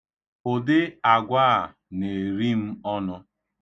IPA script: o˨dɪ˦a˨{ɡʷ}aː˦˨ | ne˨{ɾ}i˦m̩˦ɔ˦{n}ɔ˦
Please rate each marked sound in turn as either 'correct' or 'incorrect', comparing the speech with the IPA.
correct, correct, correct

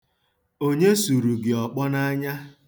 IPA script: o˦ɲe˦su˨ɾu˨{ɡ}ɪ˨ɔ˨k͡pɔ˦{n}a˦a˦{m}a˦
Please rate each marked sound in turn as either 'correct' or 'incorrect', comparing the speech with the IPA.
correct, correct, incorrect

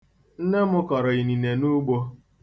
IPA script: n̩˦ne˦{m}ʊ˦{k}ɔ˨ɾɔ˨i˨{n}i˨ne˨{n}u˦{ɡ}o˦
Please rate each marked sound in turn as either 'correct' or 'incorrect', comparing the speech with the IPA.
correct, correct, correct, correct, incorrect

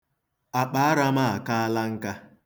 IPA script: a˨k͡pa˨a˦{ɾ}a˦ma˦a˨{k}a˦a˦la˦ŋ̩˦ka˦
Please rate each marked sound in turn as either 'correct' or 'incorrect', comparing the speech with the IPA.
correct, correct

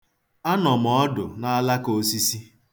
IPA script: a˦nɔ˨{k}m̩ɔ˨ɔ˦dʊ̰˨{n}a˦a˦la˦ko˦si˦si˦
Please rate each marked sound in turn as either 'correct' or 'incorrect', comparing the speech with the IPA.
incorrect, correct

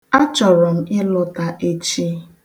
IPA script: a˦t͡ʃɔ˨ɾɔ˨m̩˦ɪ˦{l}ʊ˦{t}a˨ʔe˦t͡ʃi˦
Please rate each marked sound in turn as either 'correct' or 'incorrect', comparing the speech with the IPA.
correct, correct

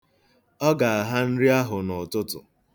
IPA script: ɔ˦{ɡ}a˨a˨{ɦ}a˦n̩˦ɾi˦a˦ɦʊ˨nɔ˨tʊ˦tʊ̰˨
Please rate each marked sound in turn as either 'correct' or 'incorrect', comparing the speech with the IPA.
correct, correct

